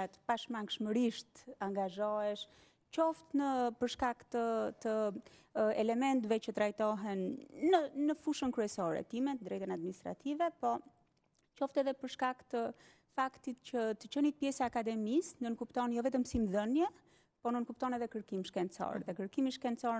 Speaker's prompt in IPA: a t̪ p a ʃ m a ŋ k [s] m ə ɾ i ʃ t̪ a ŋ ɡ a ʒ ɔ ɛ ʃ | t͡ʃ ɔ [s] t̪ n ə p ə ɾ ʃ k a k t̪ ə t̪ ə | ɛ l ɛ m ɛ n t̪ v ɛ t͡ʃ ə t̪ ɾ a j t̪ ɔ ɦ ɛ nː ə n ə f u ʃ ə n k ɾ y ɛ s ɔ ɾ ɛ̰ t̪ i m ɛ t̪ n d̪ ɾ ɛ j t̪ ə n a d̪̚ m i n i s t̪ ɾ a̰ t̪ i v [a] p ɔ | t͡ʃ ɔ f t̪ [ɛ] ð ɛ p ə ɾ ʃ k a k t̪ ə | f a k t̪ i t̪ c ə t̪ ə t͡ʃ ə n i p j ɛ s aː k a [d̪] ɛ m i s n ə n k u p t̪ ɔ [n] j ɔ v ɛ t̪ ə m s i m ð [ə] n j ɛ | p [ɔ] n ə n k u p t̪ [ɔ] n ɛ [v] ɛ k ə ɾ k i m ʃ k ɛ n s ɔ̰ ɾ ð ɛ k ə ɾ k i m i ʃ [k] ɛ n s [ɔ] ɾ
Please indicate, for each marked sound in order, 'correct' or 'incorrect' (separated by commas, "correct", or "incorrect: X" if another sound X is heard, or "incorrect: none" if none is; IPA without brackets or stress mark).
incorrect: ʃ, incorrect: f, incorrect: ɛ, correct, correct, correct, correct, correct, correct, incorrect: ð, correct, correct